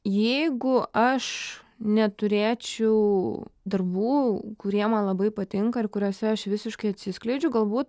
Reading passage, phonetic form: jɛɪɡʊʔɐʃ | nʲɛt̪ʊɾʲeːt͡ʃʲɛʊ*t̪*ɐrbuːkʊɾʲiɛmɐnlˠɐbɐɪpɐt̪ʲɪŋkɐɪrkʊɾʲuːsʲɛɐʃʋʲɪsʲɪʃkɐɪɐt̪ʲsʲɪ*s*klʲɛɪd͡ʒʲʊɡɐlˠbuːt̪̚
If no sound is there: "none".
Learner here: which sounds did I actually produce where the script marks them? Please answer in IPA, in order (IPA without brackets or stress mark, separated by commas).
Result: d̪, s